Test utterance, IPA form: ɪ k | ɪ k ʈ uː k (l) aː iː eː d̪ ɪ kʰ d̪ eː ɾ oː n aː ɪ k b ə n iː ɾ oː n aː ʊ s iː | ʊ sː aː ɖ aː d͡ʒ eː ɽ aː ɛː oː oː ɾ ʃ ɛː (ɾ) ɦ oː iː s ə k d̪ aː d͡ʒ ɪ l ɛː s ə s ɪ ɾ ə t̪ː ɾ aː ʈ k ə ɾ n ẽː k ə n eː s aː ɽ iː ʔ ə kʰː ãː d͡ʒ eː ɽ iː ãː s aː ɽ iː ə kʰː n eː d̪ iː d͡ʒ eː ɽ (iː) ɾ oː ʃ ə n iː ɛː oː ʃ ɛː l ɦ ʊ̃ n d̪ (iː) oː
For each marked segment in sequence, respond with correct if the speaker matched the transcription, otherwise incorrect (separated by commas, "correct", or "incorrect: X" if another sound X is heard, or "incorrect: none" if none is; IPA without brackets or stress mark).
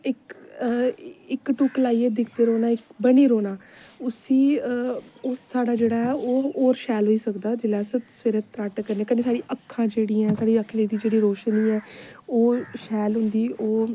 correct, incorrect: l, correct, correct